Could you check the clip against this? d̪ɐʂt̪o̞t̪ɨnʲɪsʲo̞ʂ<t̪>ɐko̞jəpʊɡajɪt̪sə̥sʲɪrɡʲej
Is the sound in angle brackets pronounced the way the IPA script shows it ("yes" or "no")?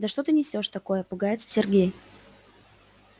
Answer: yes